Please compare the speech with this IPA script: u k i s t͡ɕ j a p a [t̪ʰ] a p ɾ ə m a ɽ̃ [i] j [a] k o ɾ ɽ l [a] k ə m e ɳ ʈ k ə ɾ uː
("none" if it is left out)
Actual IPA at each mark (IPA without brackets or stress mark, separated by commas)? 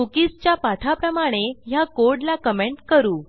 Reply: t̪ʰ, e, a, a